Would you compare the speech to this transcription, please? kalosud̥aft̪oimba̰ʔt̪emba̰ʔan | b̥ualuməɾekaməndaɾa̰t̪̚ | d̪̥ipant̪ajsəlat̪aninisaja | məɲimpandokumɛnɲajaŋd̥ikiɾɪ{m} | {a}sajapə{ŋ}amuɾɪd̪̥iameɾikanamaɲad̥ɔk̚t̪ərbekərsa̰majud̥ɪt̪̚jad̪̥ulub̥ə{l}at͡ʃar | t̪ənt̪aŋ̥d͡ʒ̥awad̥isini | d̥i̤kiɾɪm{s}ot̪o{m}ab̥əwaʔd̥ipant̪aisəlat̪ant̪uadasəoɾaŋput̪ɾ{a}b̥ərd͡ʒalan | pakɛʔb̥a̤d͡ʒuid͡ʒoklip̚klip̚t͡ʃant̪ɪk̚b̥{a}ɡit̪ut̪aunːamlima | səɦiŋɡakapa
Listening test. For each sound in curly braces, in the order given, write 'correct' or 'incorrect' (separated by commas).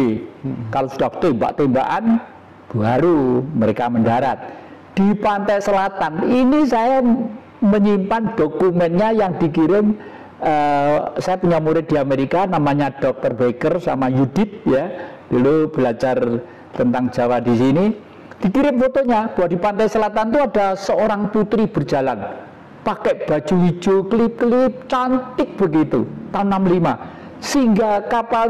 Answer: correct, incorrect, incorrect, correct, incorrect, incorrect, incorrect, incorrect